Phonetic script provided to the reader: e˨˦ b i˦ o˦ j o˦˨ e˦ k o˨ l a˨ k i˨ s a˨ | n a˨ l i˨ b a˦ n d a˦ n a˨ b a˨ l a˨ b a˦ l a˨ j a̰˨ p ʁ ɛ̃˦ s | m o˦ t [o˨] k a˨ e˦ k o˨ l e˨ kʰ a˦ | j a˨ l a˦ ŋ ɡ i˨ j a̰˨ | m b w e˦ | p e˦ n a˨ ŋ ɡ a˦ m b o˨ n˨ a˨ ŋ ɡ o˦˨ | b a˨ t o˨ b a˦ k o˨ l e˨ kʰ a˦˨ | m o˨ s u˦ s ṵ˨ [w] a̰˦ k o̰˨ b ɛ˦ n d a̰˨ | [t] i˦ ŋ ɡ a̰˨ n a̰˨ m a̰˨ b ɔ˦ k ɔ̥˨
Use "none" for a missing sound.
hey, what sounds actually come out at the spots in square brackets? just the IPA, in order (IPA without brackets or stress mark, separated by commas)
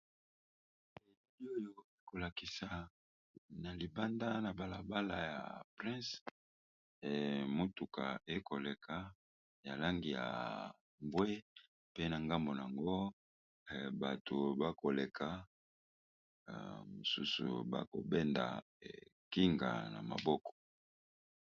u˨, b, k